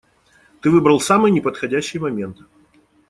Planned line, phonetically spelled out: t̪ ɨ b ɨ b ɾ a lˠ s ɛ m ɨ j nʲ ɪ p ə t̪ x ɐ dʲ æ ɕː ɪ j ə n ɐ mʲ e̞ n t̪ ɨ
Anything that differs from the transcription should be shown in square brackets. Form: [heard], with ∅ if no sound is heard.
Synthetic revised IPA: t̪ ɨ [v] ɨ b ɾ [ə] lˠ s [a] m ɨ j nʲ ɪ p ə t̪ x ɐ dʲ æ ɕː ɪ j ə [m] ɐ mʲ e̞ n t̪ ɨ